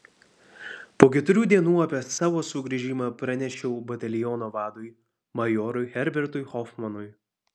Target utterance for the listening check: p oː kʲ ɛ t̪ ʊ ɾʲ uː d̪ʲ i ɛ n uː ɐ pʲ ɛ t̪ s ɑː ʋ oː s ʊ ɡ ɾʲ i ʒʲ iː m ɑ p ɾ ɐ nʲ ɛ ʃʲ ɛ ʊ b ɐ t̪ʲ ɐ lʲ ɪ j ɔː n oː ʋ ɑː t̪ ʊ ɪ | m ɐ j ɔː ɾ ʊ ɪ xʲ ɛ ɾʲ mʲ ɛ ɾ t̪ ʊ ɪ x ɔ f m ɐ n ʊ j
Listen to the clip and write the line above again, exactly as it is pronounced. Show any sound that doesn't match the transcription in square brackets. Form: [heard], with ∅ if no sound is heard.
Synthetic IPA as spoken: p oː kʲ ɛ t̪ ʊ ɾʲ uː d̪ʲ i ɛ n uː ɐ pʲ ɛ [∅] s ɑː ʋ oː s ʊ ɡ ɾʲ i ʒʲ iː m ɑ p ɾ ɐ nʲ ɛ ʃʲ ɛ ʊ b ɐ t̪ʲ ɐ lʲ ɪ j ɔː n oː ʋ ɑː [d̪] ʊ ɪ | m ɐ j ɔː ɾ ʊ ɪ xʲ ɛ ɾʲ [bʲ] ɛ ɾ t̪ ʊ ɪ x ɔ f m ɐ n ʊ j